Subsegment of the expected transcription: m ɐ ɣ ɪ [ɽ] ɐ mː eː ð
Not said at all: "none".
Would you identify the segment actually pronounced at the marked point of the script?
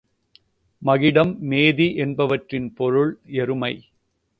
ɽ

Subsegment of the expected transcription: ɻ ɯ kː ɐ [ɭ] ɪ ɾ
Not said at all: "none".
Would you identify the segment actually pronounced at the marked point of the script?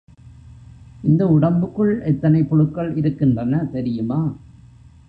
ɭ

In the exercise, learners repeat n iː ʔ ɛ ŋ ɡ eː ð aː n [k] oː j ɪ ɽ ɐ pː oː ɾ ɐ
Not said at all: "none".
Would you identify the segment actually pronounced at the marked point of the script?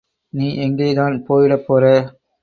p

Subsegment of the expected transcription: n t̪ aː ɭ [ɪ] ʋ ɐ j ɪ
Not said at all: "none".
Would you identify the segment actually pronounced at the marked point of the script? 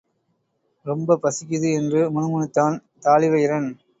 ɪ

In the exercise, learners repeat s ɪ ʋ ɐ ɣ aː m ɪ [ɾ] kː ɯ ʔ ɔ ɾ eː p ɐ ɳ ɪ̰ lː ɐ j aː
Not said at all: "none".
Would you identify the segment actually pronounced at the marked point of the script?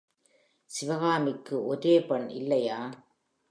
none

